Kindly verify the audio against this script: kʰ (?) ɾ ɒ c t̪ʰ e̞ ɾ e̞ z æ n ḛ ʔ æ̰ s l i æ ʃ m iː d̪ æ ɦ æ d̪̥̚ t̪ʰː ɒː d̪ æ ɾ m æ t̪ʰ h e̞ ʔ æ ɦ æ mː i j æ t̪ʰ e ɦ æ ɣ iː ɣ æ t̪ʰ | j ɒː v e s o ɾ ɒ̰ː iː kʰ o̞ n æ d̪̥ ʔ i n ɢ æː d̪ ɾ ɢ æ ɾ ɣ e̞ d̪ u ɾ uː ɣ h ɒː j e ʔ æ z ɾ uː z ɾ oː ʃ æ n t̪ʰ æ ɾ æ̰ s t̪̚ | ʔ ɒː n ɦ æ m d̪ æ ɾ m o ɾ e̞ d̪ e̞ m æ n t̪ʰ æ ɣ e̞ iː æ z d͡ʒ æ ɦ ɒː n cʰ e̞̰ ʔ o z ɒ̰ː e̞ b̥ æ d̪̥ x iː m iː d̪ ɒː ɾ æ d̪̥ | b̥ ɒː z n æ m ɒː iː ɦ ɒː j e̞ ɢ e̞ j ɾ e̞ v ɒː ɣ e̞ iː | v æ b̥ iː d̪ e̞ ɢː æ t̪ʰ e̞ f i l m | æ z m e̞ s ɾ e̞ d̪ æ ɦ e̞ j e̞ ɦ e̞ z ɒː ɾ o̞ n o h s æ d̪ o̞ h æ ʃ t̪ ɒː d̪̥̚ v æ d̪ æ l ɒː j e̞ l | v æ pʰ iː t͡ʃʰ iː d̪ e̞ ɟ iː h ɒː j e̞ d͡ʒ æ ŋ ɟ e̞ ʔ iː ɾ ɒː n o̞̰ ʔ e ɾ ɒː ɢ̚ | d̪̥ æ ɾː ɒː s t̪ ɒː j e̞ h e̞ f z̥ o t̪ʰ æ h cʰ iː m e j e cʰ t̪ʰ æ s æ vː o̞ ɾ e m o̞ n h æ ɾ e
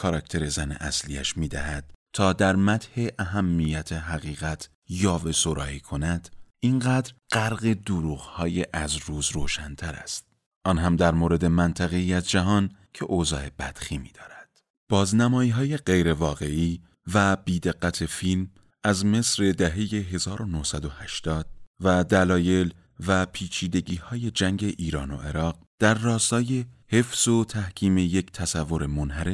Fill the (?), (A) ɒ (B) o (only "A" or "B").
A